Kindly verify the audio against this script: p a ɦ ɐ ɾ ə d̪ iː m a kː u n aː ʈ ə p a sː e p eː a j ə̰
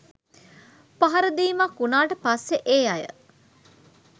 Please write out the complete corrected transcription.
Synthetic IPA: p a ɦ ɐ ɾ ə d̪ iː m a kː u n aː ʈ ə p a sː e ʔ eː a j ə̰